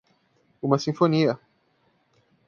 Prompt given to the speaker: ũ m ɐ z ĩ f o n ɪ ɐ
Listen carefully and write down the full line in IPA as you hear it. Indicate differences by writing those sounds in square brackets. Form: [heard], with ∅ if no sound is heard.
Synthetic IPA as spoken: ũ m ɐ [s] ĩ f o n [i] ɐ